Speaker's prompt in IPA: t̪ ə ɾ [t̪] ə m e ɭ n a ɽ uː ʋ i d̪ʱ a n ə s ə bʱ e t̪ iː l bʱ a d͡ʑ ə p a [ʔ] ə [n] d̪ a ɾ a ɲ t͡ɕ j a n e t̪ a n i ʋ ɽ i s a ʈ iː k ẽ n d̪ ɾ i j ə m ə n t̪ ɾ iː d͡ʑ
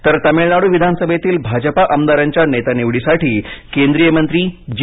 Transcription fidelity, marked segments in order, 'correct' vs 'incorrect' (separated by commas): correct, correct, incorrect